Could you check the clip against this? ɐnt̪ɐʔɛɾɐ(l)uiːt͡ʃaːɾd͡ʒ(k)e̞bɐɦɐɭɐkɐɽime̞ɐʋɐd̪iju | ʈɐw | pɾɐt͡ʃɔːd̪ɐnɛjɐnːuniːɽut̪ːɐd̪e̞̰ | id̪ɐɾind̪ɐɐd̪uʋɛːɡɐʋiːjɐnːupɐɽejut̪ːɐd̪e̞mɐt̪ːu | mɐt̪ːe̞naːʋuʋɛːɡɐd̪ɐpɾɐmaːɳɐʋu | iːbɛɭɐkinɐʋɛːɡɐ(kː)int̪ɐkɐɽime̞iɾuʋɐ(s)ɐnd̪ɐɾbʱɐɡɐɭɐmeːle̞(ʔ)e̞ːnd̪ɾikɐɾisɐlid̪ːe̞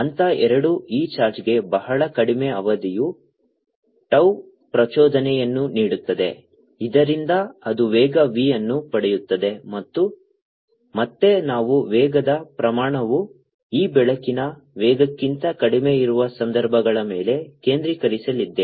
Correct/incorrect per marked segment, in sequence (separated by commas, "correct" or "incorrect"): incorrect, incorrect, correct, correct, incorrect